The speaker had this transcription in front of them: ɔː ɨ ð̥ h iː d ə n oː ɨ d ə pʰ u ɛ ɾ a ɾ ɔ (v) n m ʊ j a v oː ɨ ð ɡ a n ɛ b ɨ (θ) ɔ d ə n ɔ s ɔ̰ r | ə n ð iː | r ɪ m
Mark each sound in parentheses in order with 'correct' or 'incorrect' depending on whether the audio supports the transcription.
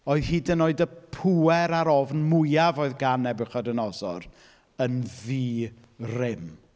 correct, incorrect: χ

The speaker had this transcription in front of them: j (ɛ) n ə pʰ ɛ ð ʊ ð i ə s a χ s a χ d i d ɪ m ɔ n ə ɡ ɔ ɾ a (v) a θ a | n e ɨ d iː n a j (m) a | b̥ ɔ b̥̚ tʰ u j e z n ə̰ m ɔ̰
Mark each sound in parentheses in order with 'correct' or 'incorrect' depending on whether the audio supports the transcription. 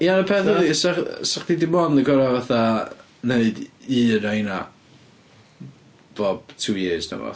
incorrect: a, correct, incorrect: n

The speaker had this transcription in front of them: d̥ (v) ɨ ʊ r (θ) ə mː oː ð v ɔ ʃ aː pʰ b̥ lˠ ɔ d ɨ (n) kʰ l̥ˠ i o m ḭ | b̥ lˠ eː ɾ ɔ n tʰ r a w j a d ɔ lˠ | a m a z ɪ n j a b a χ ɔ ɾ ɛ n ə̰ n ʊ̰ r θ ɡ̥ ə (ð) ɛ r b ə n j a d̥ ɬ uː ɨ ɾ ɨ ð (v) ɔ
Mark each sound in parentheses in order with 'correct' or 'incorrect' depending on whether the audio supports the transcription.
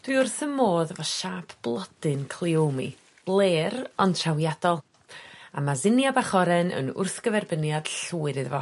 incorrect: w, correct, correct, incorrect: v, correct

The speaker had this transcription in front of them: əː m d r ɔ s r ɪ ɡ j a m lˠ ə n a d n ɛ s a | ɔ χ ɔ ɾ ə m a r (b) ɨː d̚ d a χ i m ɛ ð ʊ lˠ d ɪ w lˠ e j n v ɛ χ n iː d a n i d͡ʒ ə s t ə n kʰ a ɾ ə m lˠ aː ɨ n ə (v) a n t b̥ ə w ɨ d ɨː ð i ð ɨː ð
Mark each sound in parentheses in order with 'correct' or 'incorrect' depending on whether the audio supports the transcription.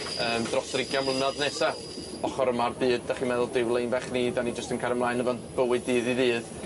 correct, correct

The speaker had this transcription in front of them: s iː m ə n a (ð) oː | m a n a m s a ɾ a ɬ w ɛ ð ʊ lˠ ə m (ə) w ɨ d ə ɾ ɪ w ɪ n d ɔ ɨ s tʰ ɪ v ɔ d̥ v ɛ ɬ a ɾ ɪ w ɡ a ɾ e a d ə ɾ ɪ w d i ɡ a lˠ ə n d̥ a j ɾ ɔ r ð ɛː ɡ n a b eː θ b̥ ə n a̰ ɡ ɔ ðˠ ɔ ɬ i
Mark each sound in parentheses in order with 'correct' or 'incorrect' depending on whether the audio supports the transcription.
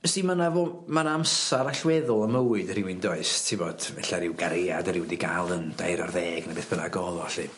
incorrect: v, correct

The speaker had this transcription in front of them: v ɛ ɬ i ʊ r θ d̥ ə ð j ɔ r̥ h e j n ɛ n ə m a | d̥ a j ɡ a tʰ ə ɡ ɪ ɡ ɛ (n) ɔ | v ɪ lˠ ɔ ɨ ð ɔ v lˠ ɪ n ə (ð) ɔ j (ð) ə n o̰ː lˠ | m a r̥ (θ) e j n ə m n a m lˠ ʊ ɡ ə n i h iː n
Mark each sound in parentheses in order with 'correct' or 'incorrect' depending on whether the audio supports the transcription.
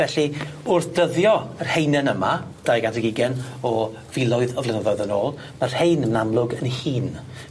correct, correct, correct, incorrect: h

